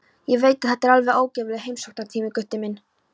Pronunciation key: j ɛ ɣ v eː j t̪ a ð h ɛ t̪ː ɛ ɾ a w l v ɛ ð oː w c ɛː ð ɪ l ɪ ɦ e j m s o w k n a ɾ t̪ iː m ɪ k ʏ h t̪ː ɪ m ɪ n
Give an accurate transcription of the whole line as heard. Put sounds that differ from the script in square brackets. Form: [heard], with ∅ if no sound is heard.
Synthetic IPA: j ɛ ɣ v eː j t̪ a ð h ɛ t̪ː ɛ ɾ a [∅] l v ɛ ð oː w c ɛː [v] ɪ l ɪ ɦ e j m s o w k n a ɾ [t̪ʰ] iː m ɪ k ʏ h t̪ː ɪ m ɪ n